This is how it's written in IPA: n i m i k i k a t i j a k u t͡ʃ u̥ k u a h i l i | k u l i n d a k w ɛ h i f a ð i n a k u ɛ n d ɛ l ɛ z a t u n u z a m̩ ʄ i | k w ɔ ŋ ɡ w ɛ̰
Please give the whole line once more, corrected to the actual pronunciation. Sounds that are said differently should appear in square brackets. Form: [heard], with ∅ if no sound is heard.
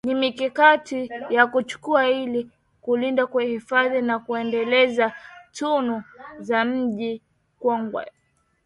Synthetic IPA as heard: n i m i k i k a t i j a k u t͡ʃ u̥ k u a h i l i | k u l i n d a k w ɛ h i f a ð i n a k u ɛ n d ɛ l ɛ z a t u n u z a m̩ ʄ i | k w ɔ ŋ ɡ w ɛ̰